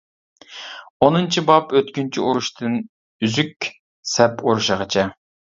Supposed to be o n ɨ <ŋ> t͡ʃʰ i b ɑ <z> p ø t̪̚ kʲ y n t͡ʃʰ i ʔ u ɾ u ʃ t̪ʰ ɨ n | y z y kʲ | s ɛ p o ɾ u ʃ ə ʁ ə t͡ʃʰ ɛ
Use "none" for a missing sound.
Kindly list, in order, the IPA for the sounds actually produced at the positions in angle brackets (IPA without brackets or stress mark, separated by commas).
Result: n, none